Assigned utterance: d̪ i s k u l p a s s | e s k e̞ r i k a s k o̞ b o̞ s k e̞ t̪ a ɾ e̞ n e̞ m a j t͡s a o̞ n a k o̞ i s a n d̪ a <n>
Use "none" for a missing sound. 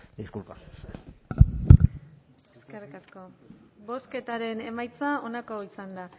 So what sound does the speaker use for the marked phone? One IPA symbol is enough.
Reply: none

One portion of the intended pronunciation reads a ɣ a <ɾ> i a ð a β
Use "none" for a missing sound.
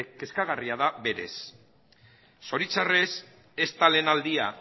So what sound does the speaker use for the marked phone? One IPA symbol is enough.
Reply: r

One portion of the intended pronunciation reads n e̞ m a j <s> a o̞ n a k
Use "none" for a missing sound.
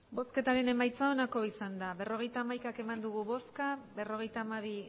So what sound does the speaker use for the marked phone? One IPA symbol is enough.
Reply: t͡s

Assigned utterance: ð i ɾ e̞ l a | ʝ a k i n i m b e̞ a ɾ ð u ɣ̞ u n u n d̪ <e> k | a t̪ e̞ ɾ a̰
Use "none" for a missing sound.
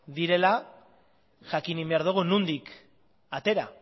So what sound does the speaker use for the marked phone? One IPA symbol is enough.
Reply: i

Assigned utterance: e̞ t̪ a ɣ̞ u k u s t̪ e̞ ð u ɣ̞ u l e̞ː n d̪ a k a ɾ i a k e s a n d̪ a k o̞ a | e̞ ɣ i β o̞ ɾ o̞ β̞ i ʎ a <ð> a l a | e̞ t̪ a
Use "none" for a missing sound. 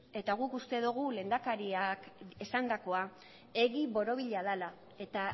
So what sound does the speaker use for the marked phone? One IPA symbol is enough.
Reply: ð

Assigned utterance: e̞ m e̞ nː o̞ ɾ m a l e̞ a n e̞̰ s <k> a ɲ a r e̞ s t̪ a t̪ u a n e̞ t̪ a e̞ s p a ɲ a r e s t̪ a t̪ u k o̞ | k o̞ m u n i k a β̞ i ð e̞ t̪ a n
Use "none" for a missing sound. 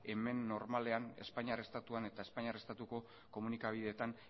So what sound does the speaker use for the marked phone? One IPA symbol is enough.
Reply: p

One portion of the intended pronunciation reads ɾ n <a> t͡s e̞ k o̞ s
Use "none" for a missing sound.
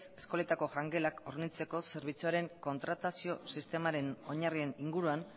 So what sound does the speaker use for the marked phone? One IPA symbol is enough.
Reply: i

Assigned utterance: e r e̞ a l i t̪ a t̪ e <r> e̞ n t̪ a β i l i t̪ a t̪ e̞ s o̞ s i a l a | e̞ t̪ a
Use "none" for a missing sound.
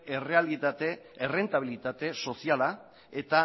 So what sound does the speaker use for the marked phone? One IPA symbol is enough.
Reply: r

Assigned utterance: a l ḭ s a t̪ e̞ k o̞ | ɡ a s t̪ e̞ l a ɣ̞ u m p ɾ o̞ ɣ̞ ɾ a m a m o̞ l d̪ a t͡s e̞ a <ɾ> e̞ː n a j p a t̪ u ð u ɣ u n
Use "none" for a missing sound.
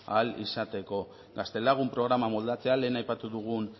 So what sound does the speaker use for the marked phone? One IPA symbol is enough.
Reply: l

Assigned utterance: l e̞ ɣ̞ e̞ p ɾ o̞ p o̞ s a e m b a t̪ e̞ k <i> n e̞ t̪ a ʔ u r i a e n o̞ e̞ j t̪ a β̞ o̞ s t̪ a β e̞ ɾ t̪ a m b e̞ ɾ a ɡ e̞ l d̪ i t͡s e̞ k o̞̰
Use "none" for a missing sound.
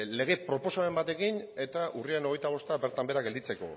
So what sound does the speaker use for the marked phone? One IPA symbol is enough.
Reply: i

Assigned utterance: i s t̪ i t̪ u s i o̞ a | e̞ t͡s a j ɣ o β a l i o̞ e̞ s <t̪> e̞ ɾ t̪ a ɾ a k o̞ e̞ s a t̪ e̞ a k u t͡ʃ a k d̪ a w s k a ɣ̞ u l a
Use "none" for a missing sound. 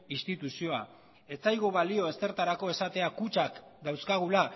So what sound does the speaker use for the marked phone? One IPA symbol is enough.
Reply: t̪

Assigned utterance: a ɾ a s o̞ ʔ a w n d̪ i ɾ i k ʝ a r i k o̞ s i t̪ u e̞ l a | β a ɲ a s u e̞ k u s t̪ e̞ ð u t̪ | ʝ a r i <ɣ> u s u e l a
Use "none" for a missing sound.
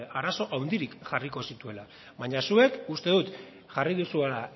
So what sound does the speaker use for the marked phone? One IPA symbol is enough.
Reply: ð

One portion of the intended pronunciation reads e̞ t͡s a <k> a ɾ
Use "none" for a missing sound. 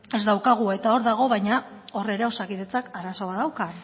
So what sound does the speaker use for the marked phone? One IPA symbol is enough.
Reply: k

